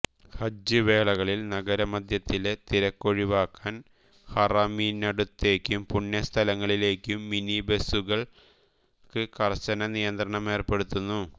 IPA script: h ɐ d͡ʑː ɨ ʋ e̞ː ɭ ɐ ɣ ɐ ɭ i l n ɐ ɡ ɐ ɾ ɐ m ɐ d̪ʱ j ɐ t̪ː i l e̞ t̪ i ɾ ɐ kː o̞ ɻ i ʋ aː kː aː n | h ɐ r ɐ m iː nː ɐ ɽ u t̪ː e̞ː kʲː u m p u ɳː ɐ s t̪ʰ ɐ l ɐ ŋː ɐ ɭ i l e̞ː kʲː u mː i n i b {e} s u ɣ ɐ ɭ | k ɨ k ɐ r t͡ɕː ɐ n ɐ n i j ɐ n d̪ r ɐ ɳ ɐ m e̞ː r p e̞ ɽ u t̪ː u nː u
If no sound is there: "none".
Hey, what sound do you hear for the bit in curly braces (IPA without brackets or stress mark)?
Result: e